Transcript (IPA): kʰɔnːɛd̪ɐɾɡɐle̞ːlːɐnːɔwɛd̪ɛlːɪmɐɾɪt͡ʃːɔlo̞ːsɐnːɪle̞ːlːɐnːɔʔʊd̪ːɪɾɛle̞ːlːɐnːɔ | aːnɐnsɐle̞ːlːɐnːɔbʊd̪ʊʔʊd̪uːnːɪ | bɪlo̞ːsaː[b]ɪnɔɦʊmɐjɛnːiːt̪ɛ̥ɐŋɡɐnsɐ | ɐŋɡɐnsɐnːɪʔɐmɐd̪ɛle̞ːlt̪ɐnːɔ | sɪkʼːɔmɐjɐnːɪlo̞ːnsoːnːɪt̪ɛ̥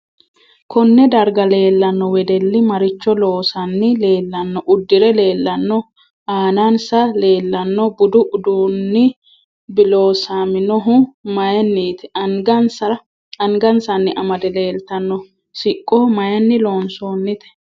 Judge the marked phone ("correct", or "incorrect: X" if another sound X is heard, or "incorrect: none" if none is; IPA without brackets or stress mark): incorrect: m